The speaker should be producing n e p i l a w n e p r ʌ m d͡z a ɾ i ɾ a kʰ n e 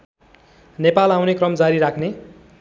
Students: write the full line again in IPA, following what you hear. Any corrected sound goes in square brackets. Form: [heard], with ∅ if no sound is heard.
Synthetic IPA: n e p [a] l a w n e [k] r ʌ m d͡z a ɾ i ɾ a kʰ n e